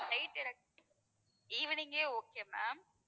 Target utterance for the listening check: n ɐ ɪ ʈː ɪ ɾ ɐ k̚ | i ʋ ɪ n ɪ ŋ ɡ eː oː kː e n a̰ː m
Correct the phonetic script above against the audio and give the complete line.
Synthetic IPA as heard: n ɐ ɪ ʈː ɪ ɾ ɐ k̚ | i ʋ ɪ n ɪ ŋ ɡ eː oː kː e m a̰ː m

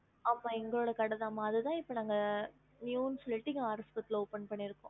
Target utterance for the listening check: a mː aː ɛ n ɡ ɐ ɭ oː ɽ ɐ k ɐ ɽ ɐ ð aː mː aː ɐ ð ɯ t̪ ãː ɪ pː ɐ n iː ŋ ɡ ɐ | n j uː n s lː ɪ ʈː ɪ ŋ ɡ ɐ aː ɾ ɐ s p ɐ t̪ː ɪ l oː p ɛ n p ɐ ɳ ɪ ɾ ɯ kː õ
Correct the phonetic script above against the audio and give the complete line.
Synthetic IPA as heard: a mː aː ɛ ŋ ɡ ɐ ɭ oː ɽ ɐ k ɐ ɽ ɐ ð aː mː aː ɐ ð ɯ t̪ ãː ɪ pː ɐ n aː ŋ ɡ ɐ | n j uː n s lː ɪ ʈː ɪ ŋ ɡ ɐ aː ɾ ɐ s p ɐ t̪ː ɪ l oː p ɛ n p ɐ ɳː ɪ ɾ ɯ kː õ

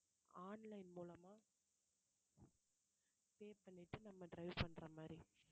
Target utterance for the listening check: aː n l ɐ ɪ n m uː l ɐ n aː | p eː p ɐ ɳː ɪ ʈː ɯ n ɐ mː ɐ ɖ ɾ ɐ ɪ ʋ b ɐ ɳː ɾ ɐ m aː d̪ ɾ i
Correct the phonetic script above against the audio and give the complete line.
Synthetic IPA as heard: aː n l ɐ ɪ n m uː l ɐ m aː | p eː p ɐ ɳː ɪ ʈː ɯ n ɐ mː ɐ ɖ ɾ ɐ ɪ ʋ p ɐ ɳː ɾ ɐ m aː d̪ ɾ i

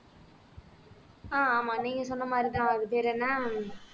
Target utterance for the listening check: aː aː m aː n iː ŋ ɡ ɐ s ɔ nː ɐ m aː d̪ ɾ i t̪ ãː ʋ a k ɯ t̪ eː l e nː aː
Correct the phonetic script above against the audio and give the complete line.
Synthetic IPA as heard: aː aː m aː n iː ŋ ɡ ɐ s ɔ nː ɐ m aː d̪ ɾ i t̪ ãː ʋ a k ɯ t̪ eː ɾ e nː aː

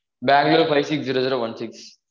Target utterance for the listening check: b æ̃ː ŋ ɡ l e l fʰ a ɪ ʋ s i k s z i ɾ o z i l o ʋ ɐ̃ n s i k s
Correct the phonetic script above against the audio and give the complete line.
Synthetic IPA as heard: b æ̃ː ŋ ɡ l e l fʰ a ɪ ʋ s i k s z i ɾ o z i ɾ o ʋ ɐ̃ n s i k s

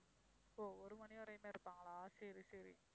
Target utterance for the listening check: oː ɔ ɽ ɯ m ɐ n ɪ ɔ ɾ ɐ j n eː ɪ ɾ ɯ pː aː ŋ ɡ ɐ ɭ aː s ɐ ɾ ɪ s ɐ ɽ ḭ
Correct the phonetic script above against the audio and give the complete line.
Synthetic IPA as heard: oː ɔ ɾ ɯ m ɐ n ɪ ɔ ɾ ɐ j m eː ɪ ɾ ɯ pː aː ŋ ɡ ɐ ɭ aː s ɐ ɾ i s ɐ ɾ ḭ

